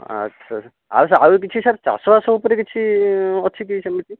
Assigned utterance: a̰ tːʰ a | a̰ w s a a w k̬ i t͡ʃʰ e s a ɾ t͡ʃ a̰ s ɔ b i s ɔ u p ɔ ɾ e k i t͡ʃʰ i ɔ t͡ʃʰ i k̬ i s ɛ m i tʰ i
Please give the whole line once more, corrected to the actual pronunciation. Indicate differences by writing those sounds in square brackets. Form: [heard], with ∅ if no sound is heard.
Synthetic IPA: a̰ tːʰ a | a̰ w s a a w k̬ i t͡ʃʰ [i] s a ɾ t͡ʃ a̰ s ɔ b [a] s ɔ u p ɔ ɾ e k i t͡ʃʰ i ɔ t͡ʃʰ i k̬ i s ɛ m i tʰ i